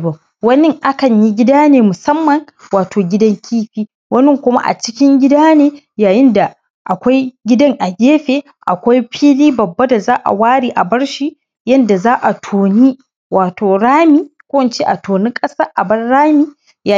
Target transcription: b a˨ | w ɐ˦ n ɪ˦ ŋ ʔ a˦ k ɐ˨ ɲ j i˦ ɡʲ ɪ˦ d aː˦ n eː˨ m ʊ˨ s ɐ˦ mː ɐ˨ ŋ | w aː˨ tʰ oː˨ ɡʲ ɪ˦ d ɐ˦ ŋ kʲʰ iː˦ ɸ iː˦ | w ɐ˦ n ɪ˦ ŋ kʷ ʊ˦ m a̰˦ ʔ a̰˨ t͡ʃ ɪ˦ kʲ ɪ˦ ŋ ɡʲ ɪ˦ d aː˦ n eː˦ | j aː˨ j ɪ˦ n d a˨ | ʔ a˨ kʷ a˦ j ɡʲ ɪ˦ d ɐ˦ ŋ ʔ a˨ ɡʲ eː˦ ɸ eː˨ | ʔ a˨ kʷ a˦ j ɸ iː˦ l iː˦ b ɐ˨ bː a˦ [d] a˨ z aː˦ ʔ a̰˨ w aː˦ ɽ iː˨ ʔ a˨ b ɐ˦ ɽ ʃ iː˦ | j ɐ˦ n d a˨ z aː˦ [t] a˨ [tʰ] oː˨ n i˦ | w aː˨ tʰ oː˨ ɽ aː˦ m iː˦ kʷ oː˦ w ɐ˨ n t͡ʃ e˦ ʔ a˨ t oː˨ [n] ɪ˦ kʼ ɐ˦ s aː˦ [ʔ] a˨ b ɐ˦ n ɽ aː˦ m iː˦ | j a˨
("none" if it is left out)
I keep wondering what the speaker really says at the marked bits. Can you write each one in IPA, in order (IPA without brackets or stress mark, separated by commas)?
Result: d, ʔ, tʰ, n, ʔ